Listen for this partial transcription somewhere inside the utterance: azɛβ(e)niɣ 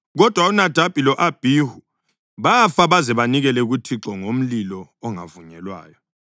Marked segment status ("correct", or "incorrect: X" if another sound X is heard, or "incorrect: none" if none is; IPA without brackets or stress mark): incorrect: a